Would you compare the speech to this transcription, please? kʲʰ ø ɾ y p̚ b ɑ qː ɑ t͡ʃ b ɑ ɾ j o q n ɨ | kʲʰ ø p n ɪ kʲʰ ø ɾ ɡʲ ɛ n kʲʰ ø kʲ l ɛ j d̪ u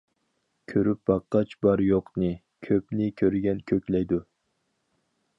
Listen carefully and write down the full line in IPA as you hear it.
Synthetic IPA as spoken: kʲʰ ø ɾ y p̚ b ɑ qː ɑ t͡ʃ b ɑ ɾ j o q n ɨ | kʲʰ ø p n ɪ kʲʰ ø ɾ ɡʲ ɛ n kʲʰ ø kʲ l ɛ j d̪ u